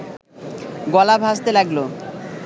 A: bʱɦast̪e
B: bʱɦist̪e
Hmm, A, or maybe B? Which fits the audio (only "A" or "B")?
A